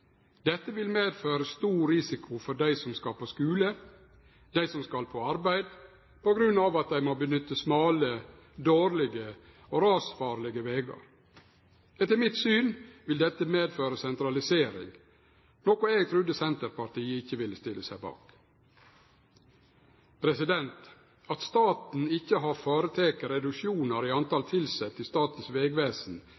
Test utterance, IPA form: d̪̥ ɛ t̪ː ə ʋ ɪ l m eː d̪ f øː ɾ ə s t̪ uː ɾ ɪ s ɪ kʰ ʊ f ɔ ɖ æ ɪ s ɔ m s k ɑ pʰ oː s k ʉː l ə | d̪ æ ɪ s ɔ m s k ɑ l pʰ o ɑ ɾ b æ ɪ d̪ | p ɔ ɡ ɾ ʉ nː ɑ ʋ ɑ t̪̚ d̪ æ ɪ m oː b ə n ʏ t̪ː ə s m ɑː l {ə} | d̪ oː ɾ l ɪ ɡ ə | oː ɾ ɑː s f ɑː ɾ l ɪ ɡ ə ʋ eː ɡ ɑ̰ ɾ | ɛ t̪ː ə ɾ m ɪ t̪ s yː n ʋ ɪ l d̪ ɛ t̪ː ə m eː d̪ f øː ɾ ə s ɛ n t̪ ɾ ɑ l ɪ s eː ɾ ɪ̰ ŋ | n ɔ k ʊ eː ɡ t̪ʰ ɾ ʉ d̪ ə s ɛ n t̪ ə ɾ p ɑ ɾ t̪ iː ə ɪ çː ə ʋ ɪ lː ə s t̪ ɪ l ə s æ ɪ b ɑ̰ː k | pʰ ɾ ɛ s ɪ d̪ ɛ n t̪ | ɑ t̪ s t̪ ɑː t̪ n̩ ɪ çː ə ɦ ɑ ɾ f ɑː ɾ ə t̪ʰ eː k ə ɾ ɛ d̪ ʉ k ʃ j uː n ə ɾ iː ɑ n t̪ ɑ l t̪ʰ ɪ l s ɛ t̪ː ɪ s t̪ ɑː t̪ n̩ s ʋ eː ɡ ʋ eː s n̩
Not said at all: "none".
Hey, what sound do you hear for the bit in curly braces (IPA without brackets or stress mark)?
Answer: ə